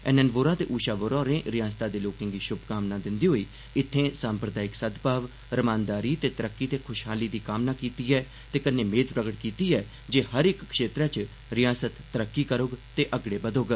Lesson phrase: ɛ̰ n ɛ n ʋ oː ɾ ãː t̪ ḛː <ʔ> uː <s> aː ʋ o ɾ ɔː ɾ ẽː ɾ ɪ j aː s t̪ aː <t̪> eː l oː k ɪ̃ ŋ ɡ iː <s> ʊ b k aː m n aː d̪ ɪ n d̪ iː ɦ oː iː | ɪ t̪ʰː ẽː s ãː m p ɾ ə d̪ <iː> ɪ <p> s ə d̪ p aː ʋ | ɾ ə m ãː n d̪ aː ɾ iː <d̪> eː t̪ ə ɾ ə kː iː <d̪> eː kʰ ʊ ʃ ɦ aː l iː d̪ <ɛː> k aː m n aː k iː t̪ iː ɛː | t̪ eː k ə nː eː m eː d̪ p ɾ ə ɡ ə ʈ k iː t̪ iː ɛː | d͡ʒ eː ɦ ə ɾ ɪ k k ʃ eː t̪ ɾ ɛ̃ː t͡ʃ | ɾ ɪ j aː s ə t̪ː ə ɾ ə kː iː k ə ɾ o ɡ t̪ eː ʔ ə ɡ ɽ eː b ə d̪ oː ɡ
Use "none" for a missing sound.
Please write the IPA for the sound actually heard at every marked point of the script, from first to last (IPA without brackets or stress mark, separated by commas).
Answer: ʔ, ʃ, d̪, ʃ, aː, k, t̪, t̪, iː